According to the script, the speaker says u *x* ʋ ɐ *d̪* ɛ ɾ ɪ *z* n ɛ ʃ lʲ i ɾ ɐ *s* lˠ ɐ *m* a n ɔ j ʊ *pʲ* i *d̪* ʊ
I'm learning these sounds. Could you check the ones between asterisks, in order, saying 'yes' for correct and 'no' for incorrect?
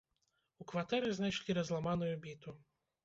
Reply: no, no, yes, no, yes, no, no

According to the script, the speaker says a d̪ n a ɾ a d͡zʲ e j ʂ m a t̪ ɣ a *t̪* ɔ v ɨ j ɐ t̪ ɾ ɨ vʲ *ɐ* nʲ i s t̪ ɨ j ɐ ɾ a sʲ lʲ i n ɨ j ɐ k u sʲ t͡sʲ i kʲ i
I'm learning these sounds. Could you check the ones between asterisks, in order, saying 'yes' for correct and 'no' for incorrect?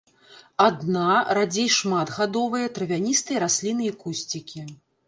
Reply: no, no

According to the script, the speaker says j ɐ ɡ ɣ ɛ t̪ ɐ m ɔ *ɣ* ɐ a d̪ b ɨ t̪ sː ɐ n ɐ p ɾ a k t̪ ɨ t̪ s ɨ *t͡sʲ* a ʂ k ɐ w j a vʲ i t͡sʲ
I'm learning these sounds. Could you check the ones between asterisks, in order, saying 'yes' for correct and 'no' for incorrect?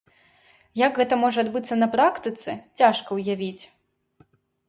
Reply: no, yes

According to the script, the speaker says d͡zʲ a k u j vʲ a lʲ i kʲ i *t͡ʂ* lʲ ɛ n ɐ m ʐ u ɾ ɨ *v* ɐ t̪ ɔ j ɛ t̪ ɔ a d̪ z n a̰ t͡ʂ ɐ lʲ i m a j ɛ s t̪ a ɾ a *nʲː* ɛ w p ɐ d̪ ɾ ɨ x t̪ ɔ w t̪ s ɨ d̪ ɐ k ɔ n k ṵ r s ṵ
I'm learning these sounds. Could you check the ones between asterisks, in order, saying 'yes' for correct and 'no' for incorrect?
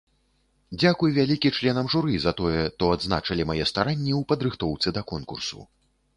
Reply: yes, no, yes

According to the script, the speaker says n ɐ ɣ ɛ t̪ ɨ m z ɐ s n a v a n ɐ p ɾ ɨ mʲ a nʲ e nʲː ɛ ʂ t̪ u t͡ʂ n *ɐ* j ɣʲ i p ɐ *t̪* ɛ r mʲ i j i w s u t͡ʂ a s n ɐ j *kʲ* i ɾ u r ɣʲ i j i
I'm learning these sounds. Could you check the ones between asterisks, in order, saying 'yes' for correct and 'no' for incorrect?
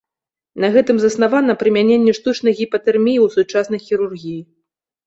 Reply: yes, yes, no

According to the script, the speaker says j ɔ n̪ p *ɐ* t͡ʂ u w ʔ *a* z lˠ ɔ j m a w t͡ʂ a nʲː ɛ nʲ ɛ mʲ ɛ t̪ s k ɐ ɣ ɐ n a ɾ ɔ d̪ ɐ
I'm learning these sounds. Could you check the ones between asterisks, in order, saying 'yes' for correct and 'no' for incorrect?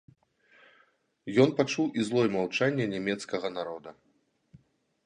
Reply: no, no

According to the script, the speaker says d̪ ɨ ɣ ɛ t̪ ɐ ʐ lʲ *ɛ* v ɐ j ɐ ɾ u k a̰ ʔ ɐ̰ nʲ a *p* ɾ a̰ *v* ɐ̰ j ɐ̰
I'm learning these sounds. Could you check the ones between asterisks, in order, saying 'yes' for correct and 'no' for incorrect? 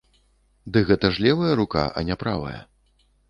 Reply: yes, yes, yes

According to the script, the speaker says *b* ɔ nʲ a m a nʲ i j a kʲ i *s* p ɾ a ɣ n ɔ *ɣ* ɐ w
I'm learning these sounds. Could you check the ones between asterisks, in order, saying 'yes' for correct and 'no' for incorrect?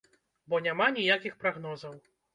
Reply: yes, no, no

